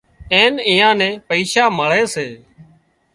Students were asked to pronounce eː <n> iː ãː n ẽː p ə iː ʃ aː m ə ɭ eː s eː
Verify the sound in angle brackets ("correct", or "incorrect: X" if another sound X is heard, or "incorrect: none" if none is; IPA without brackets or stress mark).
correct